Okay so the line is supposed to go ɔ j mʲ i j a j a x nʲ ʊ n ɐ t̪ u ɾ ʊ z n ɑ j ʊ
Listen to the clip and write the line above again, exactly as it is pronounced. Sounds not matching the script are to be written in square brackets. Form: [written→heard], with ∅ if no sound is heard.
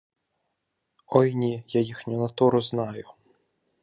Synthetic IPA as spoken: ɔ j [mʲ→nʲ] i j a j [a→i] x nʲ ʊ n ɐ t̪ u ɾ ʊ z n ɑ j ʊ